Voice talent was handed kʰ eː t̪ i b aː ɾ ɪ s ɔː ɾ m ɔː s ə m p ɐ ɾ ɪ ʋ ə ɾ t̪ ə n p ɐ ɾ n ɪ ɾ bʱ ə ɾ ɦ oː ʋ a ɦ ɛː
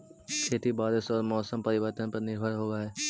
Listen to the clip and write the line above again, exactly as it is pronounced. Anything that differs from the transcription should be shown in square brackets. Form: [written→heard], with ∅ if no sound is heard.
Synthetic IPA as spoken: kʰ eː t̪ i b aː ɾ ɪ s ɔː ɾ m ɔː s ə m p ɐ ɾ ɪ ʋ ə ɾ t̪ ə n p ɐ ɾ n ɪ ɾ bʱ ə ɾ ɦ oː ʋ a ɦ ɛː